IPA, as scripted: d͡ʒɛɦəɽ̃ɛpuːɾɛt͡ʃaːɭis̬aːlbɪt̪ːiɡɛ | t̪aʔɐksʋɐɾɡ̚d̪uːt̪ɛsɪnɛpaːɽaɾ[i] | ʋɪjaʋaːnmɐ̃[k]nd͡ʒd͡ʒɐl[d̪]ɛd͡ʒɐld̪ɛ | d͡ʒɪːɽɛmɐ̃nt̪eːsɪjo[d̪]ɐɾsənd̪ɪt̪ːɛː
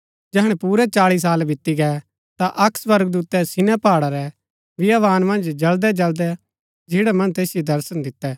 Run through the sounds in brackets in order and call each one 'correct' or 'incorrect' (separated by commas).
incorrect, incorrect, correct, correct